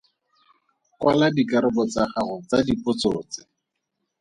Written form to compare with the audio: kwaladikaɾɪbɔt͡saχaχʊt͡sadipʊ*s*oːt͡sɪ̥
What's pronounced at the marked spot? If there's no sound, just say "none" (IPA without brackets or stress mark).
t͡s